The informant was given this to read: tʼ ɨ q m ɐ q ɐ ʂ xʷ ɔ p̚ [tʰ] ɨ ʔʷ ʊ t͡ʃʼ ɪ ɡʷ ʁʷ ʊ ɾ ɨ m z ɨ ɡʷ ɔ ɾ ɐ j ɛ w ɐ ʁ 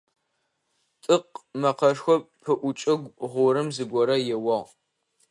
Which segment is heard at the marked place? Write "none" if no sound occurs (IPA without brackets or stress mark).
pʰ